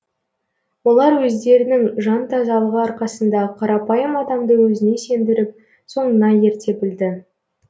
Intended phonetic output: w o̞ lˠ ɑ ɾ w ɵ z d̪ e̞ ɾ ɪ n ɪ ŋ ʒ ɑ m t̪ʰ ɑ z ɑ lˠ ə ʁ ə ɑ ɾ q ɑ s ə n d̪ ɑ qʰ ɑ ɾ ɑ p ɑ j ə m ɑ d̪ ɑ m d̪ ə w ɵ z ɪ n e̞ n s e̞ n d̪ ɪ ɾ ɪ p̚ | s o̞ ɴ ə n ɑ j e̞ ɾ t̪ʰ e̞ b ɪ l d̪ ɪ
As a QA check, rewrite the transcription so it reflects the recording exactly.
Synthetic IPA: w o̞ lˠ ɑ ɾ w ɵ z d̪ e̞ ɾ ɪ n ɪ ŋ ʒ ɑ n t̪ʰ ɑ z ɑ lˠ ə ʁ ə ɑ ɾ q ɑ s ə n d̪ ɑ qʰ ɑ ɾ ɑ p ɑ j ə m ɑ d̪ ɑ m d̪ ə w ɵ z ɪ n e̞ s e̞ n d̪ ɪ ɾ ɪ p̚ | s o̞ ɴ ə n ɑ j e̞ ɾ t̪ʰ e̞ b ɪ l d̪ ɪ